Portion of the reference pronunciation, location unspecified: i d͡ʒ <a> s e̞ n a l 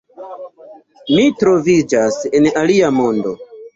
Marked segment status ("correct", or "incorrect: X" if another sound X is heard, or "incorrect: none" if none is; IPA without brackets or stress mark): correct